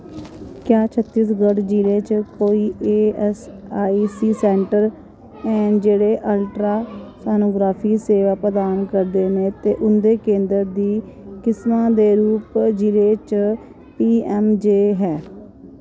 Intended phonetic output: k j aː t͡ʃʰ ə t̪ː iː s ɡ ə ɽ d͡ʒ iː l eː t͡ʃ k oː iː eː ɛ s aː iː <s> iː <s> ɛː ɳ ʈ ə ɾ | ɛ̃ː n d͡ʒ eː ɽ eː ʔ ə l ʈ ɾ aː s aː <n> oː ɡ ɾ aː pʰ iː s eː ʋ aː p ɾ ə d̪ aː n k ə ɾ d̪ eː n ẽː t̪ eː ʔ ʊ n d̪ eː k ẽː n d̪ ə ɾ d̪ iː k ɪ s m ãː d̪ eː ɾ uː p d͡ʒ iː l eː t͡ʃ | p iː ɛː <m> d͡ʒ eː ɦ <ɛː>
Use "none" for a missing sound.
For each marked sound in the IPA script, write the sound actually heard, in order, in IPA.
s, s, n, m, ɛː

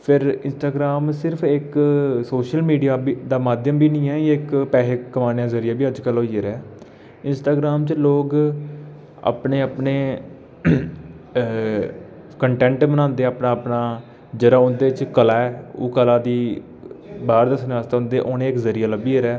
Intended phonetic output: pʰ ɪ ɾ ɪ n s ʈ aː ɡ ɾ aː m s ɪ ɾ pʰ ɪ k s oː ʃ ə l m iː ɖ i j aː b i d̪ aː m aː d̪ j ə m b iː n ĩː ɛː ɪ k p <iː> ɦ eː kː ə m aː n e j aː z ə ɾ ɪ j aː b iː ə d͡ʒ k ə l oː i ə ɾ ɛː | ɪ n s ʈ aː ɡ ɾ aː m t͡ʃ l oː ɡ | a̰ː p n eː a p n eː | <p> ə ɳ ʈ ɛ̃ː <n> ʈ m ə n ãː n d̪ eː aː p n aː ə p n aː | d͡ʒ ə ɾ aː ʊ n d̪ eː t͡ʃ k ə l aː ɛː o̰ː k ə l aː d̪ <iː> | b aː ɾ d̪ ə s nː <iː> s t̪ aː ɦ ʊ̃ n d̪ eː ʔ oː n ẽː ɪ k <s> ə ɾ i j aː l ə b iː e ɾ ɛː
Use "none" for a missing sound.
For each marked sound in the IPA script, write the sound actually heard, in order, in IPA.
ɛː, k, ɳ, iː, aː, z

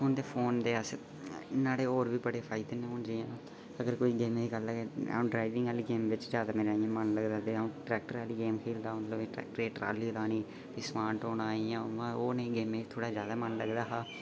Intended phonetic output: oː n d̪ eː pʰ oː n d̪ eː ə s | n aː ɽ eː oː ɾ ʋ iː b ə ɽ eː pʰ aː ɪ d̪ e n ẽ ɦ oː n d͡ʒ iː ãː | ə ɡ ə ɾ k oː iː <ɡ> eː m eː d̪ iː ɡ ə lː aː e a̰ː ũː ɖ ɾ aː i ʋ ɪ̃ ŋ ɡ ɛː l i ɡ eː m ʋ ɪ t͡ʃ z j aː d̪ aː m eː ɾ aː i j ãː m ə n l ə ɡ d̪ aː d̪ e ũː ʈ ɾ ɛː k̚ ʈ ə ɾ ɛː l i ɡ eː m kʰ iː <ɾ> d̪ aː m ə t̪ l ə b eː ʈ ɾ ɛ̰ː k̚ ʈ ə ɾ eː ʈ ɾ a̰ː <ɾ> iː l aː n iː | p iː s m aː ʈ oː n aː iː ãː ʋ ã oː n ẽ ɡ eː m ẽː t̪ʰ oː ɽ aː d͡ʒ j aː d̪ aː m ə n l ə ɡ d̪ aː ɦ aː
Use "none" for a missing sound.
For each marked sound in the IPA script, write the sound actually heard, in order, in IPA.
ɡ, l, l

